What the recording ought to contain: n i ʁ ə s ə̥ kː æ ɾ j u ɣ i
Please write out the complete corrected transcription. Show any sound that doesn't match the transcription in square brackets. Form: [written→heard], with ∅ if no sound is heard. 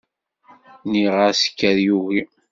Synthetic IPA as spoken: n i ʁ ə s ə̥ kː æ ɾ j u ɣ i

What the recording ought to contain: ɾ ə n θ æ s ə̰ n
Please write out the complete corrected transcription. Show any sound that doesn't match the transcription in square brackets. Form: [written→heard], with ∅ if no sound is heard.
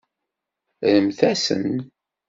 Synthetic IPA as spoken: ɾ ə [n→m] θ æ s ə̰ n

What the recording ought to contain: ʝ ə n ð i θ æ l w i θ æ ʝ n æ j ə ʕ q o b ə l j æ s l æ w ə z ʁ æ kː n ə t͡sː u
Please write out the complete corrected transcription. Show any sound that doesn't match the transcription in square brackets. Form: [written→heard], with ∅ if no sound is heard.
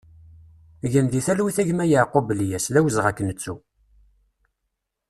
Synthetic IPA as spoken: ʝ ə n ð i θ æ l w i θ æ ʝ [n→m] æ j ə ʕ q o b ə l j æ s l æ w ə z ʁ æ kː n ə t͡sː u

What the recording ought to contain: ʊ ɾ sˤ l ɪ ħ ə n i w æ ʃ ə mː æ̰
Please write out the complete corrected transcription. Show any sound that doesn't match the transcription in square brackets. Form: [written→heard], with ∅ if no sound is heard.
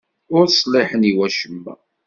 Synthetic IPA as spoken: ʊ ɾ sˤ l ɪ ħ ə n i w æ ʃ ə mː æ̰

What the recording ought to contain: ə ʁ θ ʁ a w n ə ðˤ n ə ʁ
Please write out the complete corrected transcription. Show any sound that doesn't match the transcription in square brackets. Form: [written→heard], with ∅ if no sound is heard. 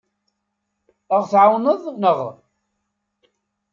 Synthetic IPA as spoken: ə ʁ θ [ʁ→ʕ] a w n ə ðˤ n ə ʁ

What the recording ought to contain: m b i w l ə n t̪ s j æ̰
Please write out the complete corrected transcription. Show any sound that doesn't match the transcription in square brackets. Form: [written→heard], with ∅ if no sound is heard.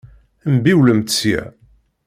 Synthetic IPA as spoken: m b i w l ə [n→m] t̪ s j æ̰

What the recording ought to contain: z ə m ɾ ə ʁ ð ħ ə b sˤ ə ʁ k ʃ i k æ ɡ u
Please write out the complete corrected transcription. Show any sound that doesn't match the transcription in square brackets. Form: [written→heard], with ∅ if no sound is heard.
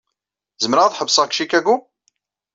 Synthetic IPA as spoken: z ə m ɾ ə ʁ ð ħ ə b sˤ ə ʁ k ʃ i k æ ɡ u

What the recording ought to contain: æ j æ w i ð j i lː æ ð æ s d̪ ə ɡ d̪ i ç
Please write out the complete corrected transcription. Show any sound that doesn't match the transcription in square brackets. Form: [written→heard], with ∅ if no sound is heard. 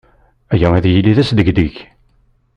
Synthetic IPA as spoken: æ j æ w [i→æ] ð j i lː [æ→i] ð æ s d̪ ə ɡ d̪ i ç

